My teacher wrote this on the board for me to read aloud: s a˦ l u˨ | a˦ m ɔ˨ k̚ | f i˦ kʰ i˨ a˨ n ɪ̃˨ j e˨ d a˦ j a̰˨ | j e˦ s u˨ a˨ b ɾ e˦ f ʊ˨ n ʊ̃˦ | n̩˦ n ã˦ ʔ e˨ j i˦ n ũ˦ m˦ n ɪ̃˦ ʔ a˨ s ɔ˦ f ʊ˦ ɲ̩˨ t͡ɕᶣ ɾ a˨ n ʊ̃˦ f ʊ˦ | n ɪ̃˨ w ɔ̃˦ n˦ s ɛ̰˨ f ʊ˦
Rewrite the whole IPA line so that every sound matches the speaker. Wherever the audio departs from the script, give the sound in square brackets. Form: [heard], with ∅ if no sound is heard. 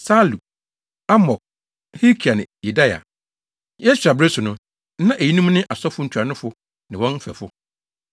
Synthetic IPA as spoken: s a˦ l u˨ | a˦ m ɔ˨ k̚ | [h] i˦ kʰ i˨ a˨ n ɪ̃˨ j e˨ d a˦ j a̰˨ | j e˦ s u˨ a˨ b ɾ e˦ [s] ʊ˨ n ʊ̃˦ | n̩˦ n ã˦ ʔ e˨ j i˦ n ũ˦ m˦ n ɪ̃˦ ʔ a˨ s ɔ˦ f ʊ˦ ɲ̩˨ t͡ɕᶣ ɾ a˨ n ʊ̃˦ f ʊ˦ | n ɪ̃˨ w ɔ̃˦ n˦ [f] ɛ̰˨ f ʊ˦